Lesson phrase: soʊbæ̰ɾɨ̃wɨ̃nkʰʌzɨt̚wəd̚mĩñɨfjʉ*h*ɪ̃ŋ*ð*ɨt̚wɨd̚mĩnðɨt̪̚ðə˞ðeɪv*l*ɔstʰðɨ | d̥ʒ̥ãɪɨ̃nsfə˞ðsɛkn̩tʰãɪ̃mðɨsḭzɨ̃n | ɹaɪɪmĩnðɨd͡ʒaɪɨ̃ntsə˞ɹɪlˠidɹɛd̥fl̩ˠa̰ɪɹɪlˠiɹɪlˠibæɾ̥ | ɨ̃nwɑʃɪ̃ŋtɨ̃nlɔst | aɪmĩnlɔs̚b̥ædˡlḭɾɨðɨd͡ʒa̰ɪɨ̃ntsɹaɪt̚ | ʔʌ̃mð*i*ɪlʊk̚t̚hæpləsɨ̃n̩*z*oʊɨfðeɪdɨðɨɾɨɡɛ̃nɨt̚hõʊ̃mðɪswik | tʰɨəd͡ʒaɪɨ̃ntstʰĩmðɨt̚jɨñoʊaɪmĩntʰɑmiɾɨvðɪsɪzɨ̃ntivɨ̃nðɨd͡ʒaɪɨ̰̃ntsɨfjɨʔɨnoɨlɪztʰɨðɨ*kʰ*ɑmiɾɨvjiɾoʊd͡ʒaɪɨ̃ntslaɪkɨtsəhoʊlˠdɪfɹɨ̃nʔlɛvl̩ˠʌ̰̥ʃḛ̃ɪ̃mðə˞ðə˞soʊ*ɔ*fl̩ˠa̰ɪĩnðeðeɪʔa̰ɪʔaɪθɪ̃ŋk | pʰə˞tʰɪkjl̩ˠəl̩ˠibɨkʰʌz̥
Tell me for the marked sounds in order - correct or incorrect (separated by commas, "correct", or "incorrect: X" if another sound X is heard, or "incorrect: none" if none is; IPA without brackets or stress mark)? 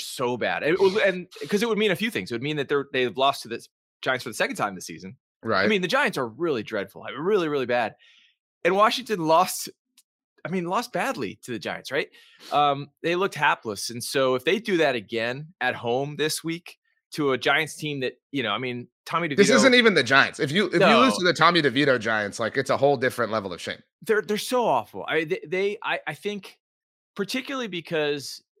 incorrect: θ, incorrect: z, correct, incorrect: e, incorrect: s, incorrect: tʰ, correct